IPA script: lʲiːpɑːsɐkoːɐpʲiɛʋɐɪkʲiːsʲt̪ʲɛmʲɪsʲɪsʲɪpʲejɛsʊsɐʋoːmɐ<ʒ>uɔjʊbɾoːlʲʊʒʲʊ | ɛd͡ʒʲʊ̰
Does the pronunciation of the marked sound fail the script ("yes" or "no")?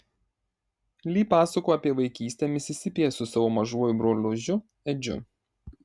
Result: no